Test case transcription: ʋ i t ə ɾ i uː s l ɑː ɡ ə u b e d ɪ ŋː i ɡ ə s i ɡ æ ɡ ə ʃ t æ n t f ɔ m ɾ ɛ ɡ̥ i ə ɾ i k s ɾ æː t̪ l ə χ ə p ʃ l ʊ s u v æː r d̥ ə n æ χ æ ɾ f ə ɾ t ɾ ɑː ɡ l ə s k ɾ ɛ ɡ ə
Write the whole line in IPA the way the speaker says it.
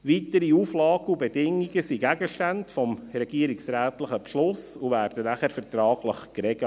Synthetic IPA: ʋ i t ə ɾ i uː f l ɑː ɡ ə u b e d ɪ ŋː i ɡ ə s i ɡ æ ɡ ə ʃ t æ n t f ɔ m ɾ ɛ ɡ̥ i ə ɾ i k s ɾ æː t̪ l ə χ ə p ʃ l ʊ s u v æː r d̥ ə n æ χ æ ɾ f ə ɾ t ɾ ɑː ɡ l ə χ k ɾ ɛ ɡ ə